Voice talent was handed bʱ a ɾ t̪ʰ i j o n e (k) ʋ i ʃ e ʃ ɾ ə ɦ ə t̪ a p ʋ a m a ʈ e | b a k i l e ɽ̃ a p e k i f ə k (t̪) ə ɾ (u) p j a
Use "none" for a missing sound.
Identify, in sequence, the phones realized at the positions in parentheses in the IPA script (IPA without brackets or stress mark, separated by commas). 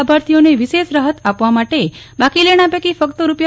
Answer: none, t̪, u